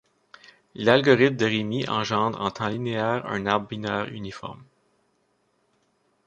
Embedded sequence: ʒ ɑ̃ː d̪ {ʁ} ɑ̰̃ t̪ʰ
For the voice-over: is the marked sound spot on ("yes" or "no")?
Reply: yes